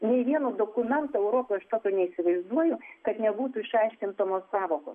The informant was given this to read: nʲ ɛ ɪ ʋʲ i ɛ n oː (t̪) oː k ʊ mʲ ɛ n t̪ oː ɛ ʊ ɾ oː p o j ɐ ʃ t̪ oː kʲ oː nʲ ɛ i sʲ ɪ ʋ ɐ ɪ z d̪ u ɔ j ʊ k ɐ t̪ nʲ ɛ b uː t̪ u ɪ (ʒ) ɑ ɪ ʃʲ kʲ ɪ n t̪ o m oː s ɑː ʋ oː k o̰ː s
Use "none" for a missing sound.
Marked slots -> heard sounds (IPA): d̪, ʃ

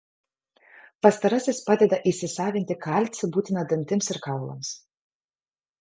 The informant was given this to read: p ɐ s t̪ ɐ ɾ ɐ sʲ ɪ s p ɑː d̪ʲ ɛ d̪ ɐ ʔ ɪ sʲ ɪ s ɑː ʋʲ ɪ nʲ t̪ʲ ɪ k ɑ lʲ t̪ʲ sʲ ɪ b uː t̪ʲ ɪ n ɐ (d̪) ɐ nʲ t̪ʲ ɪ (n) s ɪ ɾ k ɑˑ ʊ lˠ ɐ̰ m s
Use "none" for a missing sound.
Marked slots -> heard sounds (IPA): d̪, m

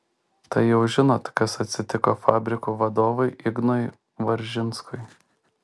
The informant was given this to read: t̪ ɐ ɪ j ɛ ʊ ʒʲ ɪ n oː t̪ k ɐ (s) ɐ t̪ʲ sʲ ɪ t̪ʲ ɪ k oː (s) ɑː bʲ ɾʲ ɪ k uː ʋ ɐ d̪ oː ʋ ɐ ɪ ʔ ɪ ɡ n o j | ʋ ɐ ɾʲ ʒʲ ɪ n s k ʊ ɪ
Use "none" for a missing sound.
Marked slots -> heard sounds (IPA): s, f

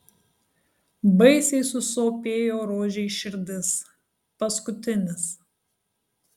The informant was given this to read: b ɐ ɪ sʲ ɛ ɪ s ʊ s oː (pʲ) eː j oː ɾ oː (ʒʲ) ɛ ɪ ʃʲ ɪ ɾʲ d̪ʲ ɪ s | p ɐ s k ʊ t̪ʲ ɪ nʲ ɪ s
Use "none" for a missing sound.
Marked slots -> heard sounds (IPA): pʲ, ʒʲ

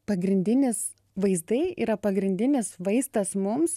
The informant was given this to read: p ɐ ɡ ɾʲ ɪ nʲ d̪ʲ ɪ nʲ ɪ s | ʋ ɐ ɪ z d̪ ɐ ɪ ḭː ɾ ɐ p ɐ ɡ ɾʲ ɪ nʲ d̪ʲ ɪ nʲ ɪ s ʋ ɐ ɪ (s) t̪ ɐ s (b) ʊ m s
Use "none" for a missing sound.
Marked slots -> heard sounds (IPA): s, m

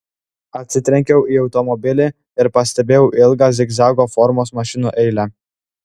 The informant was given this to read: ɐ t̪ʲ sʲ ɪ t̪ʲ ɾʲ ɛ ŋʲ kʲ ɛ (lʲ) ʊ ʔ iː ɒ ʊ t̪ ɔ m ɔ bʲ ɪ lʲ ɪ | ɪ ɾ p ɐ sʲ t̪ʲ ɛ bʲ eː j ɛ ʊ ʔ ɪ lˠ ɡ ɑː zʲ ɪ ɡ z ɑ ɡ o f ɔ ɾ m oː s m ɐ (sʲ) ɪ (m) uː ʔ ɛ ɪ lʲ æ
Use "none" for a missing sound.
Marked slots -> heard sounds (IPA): none, ʃʲ, n

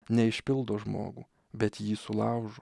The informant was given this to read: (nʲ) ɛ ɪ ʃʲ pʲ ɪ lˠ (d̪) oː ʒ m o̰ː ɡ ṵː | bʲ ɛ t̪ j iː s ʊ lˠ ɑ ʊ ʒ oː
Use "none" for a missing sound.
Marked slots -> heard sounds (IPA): nʲ, d̪

